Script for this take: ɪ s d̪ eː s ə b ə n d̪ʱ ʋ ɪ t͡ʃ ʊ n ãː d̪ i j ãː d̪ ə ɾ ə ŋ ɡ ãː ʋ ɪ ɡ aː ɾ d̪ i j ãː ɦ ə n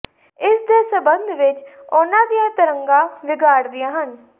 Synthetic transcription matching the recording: ɪ s d̪ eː s ə b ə n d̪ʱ ʋ ɪ t͡ʃ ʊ n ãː d̪ i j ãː t̪ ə ɾ ə ŋ ɡ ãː ʋ ɪ ɡ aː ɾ d̪ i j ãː ɦ ə n

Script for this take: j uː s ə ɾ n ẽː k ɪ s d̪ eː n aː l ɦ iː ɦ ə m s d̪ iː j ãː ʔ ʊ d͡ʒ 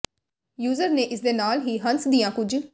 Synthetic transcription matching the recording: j uː z ə ɾ n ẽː ʔ ɪ s d̪ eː n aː l ɦ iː ɦ ə n s d̪ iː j ãː k ʊ d͡ʒ

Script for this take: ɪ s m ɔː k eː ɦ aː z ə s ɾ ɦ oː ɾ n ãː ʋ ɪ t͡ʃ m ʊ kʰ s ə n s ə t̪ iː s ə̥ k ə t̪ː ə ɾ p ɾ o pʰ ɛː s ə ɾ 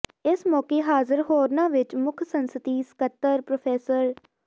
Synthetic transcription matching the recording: ɪ s m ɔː k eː ɦ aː z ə ɾ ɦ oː ɾ n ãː ʋ ɪ t͡ʃ m ʊ kʰ s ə n s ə t̪ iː s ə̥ k ə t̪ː ə ɾ p ɾ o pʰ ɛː s ə ɾ

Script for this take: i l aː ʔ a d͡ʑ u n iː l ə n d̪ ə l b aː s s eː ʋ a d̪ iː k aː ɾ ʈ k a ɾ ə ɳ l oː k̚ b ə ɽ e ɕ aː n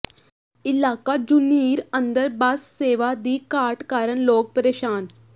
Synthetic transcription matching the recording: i l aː k a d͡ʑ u n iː ɾ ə n d̪ ə ɾ b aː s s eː ʋ a d̪ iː k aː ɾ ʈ k a ɾ ə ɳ l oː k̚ p ə ɾ e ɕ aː n

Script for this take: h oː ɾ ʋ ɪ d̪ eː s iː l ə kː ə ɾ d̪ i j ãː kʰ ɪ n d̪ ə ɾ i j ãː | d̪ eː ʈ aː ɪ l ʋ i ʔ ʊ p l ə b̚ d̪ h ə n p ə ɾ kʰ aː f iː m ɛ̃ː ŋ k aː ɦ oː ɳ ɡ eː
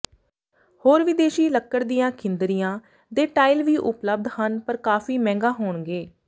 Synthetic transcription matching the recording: h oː ɾ ʋ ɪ d̪ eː ʃ iː l ə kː ə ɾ d̪ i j ãː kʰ ɪ n d̪ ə ɾ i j ãː | d̪ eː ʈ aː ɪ l ʋ iː ʔ ʊ p l ə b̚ d̪ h ə n p ə ɾ k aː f iː m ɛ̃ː ŋ ɡ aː ɦ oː ɳ ɡ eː

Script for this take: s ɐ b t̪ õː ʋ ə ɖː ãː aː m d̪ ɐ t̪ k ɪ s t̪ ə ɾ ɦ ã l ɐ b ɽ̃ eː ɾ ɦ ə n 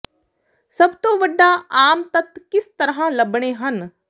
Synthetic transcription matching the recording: s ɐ b t̪ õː ʋ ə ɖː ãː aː m t̪ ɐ t̪ k ɪ s t̪ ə ɾ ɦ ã l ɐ b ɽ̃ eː ɦ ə n

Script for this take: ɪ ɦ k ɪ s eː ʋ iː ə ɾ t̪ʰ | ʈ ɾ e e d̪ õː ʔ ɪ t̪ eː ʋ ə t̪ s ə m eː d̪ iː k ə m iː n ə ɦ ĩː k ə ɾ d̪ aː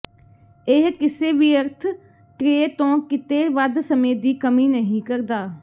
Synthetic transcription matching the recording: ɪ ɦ k ɪ s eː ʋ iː ə ɾ t̪ʰ | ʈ ɾ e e t̪ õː k ɪ t̪ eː ʋ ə d̪ s ə m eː d̪ iː k ə m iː n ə ɦ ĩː k ə ɾ d̪ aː

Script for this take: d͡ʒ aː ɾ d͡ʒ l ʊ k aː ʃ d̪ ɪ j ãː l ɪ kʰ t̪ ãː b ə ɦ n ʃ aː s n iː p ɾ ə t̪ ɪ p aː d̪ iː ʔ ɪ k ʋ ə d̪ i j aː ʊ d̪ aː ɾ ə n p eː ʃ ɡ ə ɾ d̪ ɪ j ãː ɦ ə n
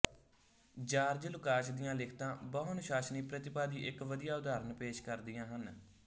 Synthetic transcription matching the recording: d͡ʒ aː ɾ d͡ʒ l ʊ k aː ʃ d̪ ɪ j ãː l ɪ kʰ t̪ ãː b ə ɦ n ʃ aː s n iː p ɾ ə t̪ ɪ p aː d̪ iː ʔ ɪ k ʋ ə d̪ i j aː ʊ d̪ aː ɾ ə n p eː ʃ k ə ɾ d̪ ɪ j ãː ɦ ə n

